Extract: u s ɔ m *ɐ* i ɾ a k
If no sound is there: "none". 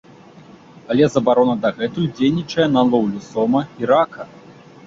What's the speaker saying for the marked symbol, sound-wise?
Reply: ɐ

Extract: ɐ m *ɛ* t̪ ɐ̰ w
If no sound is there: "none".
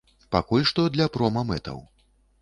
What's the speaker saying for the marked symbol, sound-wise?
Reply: ɛ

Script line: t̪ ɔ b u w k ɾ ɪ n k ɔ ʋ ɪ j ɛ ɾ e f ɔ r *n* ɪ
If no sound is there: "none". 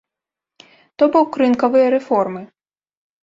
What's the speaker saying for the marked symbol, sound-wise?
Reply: m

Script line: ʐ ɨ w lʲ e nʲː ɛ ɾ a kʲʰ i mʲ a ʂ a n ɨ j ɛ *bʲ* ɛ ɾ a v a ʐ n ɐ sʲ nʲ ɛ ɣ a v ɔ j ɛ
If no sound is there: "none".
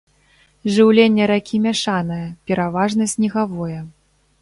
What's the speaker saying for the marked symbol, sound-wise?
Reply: pʲ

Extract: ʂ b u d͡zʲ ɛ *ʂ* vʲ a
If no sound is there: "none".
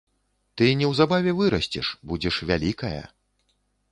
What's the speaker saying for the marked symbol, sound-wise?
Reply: ʂ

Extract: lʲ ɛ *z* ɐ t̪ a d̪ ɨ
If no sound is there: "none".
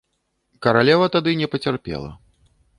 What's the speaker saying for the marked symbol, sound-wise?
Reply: v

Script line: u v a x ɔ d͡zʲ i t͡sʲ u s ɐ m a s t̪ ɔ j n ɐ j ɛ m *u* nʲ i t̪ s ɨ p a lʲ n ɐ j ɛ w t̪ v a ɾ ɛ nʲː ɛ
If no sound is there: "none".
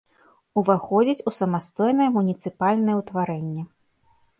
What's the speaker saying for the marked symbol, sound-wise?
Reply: u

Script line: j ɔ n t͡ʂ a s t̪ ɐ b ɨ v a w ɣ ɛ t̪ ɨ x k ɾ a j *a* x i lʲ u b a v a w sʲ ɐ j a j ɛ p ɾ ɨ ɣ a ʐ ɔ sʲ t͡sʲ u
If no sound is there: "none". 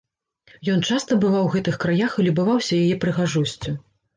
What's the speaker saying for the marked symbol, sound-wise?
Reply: a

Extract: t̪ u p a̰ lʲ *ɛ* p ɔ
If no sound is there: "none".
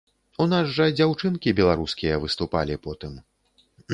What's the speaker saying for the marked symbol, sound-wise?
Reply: i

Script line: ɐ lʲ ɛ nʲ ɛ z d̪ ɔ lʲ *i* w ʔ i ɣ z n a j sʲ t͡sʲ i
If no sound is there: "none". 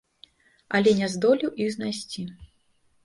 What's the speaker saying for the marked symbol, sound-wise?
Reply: i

